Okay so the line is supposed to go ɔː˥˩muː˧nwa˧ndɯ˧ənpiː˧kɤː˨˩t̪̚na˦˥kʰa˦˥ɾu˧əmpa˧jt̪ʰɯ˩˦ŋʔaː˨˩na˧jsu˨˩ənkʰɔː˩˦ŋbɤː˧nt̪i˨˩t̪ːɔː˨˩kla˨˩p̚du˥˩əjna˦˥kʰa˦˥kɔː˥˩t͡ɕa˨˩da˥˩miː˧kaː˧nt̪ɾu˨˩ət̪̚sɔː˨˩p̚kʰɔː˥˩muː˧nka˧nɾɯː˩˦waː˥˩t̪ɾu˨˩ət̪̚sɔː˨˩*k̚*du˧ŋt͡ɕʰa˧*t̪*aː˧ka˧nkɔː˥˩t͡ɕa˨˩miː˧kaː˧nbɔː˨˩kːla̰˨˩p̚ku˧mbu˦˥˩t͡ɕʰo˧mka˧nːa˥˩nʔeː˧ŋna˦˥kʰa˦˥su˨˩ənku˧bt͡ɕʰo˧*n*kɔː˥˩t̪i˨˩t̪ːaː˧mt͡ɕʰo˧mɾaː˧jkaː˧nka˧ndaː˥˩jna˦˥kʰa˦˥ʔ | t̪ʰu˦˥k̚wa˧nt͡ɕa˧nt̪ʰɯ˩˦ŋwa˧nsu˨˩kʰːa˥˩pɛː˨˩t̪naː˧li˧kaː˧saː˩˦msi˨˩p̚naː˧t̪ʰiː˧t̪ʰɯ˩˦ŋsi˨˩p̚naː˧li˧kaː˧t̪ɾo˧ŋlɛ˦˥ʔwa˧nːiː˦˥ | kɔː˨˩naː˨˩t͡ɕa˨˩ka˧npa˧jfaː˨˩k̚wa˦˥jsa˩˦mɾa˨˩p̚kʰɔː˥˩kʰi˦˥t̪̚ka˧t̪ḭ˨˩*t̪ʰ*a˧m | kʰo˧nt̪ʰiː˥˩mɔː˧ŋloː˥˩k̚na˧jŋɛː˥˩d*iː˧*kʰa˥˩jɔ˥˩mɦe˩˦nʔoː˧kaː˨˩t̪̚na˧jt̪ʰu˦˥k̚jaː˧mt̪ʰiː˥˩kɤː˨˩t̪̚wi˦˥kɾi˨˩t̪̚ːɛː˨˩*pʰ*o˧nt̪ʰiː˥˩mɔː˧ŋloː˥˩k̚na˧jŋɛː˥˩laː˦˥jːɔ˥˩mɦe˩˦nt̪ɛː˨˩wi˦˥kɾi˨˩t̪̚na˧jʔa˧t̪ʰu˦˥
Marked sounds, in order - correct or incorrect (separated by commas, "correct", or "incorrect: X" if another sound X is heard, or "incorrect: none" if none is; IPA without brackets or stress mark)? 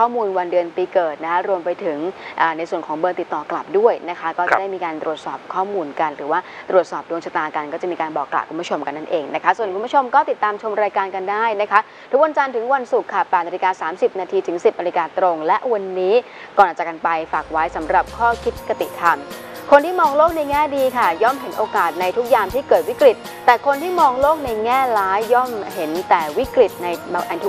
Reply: incorrect: p̚, correct, incorrect: m, correct, correct, incorrect: kʰ